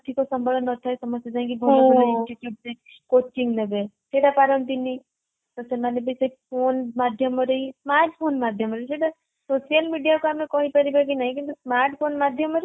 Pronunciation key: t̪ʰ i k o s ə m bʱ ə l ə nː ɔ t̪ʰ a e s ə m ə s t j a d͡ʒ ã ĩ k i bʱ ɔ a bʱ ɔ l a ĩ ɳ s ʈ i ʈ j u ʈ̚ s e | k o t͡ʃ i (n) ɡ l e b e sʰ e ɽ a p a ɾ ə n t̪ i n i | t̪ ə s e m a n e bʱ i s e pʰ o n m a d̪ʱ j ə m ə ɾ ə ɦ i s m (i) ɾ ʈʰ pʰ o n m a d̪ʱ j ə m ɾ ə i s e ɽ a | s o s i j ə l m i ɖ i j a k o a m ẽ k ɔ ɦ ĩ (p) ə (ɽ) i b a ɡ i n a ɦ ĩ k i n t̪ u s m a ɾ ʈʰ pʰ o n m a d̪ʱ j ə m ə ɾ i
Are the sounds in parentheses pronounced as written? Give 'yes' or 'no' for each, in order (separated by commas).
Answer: no, no, yes, no